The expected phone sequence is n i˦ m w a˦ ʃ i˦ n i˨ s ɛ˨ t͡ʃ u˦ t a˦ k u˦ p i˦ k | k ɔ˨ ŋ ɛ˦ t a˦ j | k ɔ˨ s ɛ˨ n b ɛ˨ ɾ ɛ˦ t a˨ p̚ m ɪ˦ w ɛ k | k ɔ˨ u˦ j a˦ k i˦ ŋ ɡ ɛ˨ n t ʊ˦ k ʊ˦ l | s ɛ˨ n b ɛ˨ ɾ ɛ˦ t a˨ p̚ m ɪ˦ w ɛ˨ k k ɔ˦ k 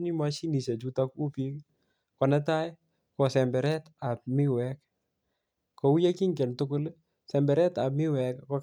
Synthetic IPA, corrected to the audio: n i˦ m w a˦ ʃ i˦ n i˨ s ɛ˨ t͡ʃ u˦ t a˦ k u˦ p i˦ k | k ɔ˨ n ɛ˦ t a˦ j | k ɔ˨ s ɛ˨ m b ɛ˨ ɾ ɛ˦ t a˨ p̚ m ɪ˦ w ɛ k | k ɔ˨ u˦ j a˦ k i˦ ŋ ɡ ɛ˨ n t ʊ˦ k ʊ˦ l | s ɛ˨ m b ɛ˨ ɾ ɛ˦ t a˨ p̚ m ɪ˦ w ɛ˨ k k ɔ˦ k